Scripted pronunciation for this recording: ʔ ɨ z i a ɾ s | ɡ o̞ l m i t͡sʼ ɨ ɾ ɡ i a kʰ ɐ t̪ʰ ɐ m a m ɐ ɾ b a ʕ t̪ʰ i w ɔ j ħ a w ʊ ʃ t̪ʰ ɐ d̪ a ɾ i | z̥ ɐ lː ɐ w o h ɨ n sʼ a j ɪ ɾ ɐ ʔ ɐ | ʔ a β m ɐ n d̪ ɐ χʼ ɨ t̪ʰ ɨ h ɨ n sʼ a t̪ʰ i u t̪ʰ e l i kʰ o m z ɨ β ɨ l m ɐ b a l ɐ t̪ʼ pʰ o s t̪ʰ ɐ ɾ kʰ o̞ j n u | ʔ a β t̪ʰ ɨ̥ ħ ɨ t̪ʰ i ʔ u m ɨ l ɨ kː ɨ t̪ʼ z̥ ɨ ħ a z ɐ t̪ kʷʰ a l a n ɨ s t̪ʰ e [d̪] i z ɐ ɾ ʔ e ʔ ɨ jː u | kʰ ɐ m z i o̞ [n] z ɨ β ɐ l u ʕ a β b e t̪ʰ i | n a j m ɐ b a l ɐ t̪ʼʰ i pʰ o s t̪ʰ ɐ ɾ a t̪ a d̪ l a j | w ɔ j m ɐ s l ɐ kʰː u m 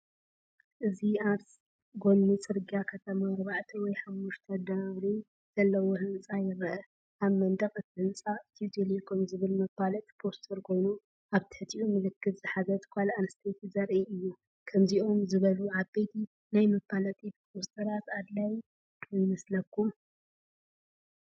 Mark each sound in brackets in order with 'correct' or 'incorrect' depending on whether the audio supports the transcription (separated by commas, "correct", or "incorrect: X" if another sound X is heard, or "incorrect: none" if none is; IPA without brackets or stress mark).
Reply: incorrect: t̪, incorrect: m